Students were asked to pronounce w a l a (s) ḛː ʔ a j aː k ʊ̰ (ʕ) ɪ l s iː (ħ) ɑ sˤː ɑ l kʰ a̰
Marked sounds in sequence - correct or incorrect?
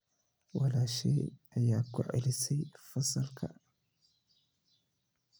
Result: incorrect: ʃ, correct, incorrect: f

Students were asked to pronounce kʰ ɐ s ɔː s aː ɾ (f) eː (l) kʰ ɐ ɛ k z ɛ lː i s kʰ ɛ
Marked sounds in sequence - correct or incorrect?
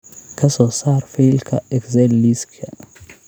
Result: correct, correct

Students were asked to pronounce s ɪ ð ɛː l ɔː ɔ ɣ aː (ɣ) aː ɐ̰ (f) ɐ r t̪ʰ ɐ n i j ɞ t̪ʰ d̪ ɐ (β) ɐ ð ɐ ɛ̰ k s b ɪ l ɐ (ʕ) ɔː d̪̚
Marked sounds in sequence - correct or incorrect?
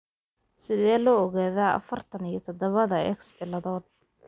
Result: incorrect: ð, correct, correct, incorrect: ð

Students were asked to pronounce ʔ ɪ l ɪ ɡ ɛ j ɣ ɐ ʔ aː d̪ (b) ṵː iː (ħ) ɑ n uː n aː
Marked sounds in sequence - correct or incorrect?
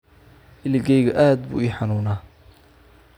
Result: correct, correct

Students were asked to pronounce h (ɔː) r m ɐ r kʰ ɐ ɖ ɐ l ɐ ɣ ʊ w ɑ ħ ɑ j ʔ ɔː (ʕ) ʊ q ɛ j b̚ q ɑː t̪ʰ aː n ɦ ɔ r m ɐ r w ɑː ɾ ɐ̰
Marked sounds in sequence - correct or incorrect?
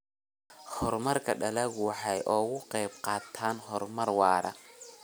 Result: incorrect: ɔ, incorrect: ɣ

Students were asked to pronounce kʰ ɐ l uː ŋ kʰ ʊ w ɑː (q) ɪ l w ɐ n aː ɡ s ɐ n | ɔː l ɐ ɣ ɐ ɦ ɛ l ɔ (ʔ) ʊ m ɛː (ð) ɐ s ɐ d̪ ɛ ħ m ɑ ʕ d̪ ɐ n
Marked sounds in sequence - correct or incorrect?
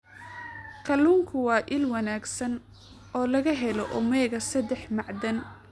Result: incorrect: ʔ, correct, incorrect: ɣ

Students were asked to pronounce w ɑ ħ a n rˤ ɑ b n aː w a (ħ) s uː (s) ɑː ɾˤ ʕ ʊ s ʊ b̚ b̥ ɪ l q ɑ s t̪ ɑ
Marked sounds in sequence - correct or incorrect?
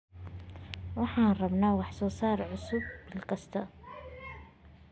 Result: correct, correct

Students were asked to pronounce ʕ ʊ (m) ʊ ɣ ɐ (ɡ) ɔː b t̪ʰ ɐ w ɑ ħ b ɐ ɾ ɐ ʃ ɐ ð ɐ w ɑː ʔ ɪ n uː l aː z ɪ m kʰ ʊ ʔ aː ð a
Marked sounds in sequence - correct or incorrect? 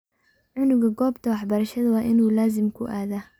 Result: incorrect: n, correct

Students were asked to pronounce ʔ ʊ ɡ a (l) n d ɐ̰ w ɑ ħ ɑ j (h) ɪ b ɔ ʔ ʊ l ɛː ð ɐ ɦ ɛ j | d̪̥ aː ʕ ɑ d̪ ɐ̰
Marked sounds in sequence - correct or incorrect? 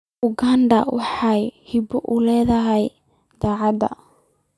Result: incorrect: none, correct

